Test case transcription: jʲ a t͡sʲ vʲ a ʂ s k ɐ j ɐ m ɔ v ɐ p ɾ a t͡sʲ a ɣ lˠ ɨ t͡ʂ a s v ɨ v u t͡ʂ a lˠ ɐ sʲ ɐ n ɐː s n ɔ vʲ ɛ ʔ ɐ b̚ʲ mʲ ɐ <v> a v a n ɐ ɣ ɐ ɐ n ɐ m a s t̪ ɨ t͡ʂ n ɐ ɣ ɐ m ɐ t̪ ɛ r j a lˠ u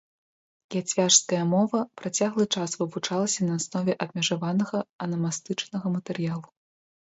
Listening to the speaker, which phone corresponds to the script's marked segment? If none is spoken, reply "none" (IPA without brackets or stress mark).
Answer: ʐ